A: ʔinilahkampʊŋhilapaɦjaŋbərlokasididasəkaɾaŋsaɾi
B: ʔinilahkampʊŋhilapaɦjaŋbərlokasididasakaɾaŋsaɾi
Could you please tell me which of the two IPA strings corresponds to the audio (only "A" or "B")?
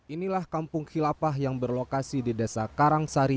B